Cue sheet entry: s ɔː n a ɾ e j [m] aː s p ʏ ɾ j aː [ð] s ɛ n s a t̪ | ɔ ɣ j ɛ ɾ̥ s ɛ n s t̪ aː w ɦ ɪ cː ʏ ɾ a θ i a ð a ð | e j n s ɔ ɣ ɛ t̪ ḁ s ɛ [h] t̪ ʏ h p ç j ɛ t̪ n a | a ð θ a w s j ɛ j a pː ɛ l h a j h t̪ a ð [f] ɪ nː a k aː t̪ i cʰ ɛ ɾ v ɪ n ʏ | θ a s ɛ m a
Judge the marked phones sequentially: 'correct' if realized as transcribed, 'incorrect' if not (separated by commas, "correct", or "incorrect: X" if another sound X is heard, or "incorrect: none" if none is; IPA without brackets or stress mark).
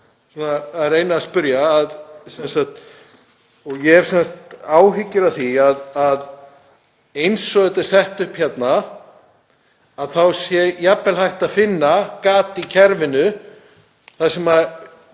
incorrect: n, correct, correct, correct